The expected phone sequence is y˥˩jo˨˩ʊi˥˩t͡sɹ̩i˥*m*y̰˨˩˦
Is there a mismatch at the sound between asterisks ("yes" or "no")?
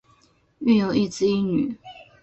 yes